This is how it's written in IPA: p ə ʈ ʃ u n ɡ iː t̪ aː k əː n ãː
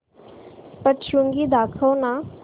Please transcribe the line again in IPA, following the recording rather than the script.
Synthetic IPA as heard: p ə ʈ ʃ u ŋ ɡ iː d̪ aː kʰ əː n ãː